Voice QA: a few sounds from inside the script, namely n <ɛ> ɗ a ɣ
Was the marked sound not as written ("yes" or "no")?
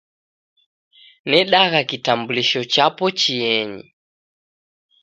no